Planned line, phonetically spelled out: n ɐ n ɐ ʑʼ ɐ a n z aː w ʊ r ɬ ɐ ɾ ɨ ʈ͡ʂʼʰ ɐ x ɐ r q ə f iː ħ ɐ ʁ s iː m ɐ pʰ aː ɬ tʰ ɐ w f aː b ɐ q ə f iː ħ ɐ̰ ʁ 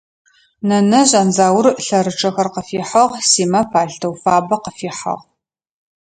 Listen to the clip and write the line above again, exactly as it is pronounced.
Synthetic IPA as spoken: n ɐ n ɐ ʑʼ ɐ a n z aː w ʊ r ɬ ɐ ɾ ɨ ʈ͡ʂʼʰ ɐ x ɐ r q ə f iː ħ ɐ ʁ s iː m ɐ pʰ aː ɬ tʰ ɐ w f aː b ɐ q ə f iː ħ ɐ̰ ʁ